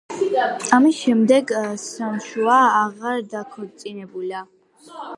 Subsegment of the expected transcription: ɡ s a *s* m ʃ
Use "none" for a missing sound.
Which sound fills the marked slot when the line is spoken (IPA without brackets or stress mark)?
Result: none